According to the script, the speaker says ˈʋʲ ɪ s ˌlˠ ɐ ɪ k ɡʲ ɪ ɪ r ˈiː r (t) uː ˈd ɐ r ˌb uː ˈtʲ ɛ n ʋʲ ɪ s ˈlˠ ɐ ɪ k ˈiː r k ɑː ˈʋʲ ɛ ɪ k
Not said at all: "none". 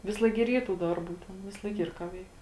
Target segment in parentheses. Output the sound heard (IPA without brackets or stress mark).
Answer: t